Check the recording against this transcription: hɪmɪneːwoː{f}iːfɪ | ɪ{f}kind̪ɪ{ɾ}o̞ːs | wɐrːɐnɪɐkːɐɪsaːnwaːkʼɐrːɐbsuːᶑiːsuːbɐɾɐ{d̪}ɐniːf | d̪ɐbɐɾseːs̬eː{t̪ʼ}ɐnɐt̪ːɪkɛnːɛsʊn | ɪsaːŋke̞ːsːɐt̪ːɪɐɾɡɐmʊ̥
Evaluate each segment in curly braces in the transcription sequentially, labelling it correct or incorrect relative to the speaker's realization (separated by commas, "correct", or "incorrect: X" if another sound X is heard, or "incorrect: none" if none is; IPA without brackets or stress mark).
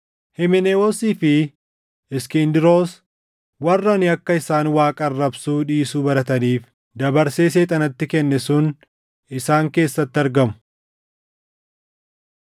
incorrect: s, incorrect: s, correct, incorrect: t̪, correct